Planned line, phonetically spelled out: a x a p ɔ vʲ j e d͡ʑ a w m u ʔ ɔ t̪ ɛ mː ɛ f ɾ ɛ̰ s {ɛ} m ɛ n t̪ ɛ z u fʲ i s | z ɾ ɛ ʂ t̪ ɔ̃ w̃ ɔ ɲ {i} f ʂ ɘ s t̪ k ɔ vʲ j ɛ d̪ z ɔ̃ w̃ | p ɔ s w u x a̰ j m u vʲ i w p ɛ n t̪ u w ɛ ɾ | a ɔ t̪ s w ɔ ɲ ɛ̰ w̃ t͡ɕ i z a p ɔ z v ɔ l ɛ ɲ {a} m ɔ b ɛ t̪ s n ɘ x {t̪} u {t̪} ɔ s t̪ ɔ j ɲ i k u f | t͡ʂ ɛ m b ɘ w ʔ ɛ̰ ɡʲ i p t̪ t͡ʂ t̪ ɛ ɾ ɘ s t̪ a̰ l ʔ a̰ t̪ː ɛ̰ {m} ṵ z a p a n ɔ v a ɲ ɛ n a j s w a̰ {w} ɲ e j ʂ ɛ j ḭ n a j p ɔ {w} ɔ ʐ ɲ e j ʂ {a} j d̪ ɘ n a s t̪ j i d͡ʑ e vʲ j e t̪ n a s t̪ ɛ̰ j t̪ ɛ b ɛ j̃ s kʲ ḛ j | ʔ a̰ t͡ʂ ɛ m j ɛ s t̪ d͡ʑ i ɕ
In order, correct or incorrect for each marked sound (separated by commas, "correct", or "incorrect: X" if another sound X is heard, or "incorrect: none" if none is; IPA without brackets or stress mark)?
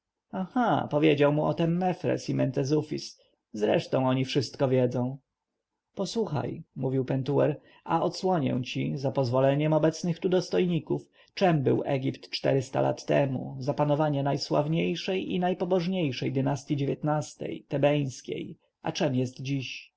incorrect: i, correct, incorrect: ɛ, correct, incorrect: d̪, correct, incorrect: v, incorrect: b, incorrect: ɛ